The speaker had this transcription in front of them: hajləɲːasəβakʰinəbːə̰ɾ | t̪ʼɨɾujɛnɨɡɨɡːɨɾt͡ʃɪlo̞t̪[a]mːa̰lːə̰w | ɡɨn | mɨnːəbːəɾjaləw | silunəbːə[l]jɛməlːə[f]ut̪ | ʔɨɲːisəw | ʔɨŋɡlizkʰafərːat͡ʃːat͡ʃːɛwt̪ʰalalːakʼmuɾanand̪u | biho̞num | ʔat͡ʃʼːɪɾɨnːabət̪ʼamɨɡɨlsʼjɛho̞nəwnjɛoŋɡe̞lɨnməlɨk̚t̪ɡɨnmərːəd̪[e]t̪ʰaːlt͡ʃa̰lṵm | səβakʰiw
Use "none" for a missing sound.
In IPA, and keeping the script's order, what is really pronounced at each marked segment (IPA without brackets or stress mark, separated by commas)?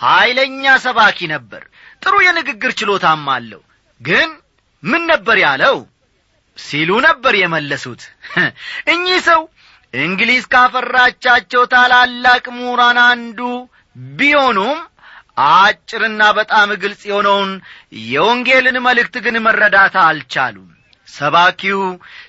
a, ɾ, s, a